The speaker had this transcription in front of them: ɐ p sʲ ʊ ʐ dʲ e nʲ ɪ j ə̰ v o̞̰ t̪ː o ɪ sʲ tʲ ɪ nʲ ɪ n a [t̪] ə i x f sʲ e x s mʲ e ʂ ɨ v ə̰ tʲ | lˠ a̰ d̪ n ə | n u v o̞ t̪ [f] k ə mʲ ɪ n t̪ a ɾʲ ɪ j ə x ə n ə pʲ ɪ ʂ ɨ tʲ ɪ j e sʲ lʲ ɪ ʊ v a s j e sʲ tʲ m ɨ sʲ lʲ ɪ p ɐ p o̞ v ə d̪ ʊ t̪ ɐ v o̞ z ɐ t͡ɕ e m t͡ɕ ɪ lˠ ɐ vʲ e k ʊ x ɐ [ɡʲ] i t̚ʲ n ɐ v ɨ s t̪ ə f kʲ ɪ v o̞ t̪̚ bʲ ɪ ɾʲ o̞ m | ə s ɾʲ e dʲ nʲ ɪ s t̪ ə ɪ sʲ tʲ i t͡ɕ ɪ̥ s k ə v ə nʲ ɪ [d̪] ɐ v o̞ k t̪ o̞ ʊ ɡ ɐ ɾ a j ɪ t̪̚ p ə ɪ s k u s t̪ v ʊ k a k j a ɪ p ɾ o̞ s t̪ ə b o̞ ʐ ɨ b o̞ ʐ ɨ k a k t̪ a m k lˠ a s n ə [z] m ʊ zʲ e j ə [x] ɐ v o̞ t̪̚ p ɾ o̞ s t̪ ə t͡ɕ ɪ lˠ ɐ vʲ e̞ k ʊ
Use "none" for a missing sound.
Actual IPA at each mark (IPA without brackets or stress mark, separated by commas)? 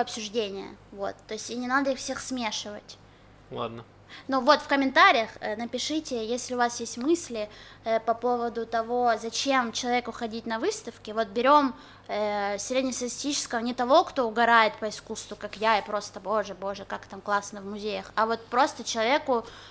d̪, f, dʲ, t̪, v, x